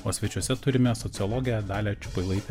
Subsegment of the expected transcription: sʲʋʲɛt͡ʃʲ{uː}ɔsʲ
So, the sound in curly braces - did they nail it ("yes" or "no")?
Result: no